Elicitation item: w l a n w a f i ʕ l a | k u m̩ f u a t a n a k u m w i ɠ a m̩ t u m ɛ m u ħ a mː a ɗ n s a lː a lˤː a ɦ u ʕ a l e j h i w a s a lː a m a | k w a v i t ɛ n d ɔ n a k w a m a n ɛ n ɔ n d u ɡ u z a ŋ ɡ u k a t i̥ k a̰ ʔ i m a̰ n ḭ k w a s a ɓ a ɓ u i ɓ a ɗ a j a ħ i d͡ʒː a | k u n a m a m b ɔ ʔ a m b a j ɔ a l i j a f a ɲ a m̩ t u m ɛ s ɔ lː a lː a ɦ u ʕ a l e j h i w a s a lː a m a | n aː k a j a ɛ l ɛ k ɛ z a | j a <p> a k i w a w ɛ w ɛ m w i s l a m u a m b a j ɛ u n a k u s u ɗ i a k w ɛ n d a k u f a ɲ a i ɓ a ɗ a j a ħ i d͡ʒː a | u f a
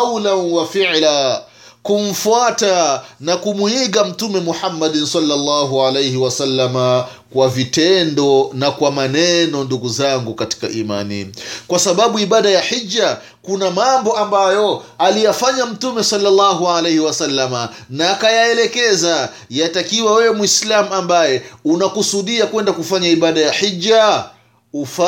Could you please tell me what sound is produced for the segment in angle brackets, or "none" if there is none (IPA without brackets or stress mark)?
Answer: t